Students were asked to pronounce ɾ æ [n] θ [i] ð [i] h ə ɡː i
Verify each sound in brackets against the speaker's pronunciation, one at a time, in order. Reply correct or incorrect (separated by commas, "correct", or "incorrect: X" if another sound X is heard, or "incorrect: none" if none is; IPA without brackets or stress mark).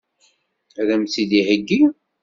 incorrect: m, correct, correct